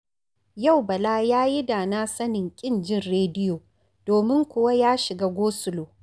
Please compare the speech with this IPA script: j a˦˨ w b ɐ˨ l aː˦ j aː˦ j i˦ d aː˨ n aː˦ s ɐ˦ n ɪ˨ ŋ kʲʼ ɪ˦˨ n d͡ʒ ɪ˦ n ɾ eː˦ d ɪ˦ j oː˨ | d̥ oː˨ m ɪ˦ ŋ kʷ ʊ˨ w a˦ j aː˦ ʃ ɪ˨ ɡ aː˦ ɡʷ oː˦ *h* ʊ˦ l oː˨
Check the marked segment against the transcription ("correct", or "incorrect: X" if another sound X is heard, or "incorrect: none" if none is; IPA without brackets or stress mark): incorrect: s